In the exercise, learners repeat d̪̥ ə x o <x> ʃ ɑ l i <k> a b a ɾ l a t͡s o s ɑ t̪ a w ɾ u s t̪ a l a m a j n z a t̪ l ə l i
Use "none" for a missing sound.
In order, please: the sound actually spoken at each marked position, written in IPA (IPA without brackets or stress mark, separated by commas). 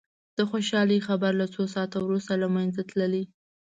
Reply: none, x